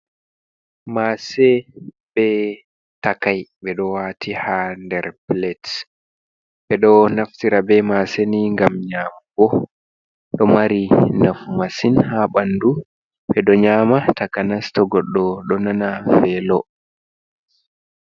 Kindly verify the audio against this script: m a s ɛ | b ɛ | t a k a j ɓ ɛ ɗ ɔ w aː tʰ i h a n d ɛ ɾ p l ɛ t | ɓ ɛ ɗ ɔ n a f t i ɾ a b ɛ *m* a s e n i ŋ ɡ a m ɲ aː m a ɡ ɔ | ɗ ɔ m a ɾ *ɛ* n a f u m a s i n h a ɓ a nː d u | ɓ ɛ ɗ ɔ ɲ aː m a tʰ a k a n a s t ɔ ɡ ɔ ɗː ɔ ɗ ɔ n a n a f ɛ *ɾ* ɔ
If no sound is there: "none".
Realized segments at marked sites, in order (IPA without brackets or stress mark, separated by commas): m, i, l